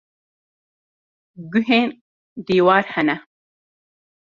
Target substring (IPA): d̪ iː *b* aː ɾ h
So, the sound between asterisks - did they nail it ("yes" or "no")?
no